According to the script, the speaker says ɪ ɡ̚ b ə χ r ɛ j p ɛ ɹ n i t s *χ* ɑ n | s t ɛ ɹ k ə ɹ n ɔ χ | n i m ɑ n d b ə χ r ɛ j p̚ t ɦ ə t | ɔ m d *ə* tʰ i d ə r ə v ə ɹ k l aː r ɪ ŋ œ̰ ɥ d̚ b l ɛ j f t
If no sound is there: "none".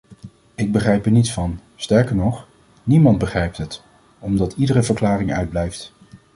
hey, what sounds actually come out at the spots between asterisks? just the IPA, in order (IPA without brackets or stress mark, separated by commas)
f, ɑ